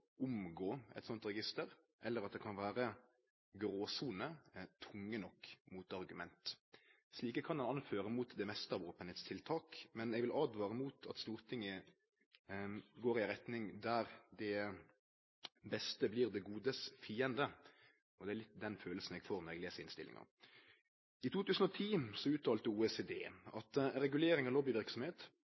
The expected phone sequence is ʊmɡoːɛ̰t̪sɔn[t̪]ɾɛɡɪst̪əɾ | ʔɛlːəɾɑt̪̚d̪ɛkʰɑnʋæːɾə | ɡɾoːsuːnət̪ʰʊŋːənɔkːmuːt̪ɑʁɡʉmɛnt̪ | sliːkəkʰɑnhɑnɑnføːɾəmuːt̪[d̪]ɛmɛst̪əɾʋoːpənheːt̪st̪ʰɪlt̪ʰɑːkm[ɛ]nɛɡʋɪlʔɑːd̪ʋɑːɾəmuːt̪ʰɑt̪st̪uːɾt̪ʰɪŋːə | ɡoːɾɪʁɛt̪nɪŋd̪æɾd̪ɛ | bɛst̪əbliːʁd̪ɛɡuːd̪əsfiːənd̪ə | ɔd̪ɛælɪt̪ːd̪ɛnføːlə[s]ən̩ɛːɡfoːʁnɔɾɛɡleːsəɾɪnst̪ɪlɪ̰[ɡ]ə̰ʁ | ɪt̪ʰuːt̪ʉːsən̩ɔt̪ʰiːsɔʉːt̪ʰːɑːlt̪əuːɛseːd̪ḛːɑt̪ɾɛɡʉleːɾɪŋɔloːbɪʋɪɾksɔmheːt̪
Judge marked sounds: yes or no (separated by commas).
yes, yes, yes, yes, no